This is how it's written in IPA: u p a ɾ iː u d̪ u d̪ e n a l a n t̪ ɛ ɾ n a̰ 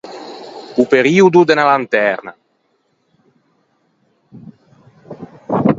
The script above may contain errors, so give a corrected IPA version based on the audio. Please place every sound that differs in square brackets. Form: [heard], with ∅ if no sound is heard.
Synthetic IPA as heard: u p [e] ɾ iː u d̪ u d̪ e n a l a n t̪ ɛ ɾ n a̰